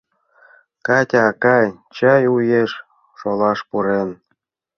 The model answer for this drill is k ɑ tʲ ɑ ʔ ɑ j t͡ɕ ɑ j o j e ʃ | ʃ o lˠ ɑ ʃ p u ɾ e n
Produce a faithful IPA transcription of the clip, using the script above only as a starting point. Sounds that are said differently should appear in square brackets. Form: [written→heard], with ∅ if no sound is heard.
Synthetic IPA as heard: k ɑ tʲ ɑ [ʔ→k] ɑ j t͡ɕ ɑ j [o→u] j e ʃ | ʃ o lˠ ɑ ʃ p u ɾ e n